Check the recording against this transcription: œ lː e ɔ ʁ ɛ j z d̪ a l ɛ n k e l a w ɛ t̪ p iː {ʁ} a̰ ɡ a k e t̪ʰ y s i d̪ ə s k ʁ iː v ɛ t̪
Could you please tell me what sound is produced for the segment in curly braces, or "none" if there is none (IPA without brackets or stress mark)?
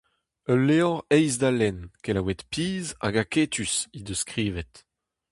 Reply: z